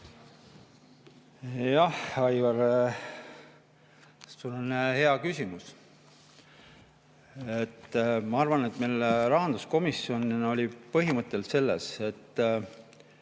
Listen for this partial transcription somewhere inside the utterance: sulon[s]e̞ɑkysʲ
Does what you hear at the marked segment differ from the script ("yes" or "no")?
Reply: yes